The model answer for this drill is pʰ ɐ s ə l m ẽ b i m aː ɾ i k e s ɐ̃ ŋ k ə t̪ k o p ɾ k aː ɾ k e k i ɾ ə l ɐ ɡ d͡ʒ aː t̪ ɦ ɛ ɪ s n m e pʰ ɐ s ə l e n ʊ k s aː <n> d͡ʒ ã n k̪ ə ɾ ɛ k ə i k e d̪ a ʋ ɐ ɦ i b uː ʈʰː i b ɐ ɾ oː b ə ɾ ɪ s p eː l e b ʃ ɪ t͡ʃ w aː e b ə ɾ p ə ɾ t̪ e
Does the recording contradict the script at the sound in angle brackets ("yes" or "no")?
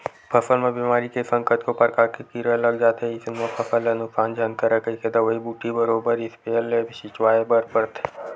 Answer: no